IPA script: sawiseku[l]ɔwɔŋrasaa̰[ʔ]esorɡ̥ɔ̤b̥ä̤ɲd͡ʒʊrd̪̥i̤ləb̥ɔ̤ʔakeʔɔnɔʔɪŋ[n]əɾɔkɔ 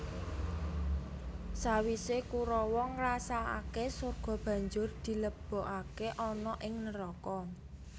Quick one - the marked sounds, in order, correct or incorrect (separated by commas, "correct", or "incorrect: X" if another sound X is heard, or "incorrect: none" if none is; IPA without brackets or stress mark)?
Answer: incorrect: ɾ, incorrect: k, correct